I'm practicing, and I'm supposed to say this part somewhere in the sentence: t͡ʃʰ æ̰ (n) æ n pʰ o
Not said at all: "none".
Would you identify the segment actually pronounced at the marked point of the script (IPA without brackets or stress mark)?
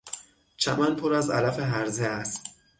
m